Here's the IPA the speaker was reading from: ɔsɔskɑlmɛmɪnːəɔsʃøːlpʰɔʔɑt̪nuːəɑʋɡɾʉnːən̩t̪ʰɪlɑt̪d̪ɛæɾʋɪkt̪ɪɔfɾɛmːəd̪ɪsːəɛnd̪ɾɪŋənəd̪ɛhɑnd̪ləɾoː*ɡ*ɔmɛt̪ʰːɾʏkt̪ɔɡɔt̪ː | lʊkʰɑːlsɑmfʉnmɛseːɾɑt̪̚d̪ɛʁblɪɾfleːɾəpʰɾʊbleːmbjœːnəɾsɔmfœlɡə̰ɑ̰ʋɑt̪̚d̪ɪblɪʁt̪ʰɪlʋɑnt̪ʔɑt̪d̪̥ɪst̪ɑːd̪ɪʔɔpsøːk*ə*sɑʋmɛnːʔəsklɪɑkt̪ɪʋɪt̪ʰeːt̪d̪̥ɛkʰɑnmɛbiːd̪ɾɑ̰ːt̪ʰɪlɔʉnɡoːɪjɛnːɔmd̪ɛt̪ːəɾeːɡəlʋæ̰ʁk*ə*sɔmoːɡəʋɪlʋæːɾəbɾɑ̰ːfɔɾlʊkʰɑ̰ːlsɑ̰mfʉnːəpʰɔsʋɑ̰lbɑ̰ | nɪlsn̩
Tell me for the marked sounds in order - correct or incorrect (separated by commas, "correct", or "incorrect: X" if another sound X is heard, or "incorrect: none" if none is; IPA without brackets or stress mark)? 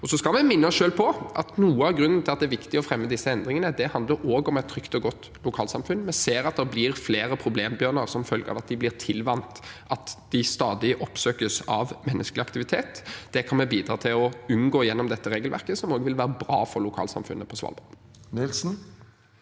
correct, correct, correct